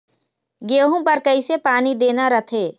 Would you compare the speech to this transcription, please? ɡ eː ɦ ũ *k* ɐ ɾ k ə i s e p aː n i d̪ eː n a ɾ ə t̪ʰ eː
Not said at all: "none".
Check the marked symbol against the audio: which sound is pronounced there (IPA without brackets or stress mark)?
p